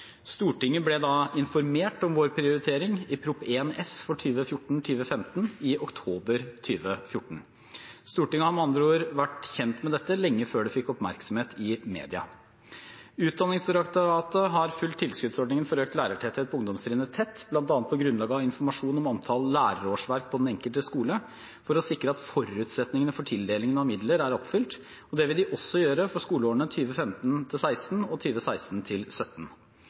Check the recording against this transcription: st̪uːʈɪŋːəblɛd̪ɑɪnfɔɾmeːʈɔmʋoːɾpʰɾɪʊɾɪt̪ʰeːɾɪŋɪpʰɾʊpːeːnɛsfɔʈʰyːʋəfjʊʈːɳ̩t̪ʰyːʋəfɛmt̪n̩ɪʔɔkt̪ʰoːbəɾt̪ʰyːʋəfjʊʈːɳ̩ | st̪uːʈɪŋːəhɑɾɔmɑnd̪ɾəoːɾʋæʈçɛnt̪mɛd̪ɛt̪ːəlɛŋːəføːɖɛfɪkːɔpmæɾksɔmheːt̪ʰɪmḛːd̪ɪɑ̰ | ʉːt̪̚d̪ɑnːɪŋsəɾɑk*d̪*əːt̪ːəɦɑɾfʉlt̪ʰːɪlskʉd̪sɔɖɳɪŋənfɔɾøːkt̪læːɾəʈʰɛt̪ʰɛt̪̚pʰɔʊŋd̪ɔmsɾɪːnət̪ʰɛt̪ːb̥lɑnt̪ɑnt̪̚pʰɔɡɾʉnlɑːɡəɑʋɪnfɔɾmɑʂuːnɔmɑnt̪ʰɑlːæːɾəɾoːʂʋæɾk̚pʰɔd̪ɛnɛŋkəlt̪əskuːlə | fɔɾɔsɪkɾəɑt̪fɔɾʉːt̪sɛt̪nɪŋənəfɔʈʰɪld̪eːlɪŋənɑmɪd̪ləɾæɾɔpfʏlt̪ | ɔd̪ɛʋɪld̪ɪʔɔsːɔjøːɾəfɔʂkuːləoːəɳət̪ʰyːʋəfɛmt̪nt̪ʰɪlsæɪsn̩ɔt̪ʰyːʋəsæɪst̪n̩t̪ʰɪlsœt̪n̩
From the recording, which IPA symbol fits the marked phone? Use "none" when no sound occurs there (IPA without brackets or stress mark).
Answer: t̪